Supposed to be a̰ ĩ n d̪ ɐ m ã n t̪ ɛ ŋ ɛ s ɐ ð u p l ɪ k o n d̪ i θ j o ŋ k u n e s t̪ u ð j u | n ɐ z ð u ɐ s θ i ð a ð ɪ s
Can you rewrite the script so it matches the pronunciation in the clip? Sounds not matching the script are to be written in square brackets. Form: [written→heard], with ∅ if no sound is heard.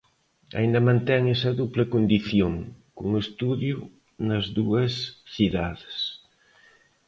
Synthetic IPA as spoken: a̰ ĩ n d̪ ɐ m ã n t̪ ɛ ŋ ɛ s ɐ ð u p l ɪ k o n d̪ i θ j o ŋ k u [n→ŋ] e s t̪ u ð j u | n ɐ z ð u ɐ s θ i ð a ð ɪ s